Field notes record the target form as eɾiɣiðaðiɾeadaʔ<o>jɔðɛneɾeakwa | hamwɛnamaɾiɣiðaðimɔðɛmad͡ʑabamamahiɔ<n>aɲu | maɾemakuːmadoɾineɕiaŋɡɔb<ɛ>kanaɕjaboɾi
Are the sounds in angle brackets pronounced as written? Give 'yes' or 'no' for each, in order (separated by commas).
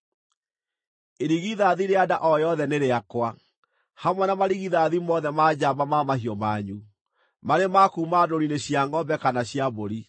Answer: no, no, yes